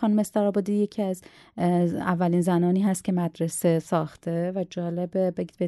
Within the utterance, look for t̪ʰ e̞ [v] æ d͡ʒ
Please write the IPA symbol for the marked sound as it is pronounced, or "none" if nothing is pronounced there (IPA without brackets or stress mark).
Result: v